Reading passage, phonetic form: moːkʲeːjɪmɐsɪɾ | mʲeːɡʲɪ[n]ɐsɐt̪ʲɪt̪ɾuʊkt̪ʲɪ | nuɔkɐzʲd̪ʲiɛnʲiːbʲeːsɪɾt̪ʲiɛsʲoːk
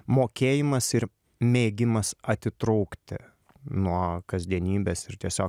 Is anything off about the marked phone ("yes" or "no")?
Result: yes